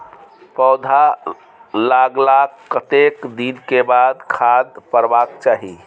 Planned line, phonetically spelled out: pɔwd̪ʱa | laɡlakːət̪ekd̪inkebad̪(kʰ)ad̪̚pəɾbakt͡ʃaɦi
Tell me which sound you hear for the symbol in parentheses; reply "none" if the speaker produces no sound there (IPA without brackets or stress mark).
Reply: kʰ